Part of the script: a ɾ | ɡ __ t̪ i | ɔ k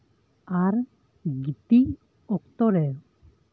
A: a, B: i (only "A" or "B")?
B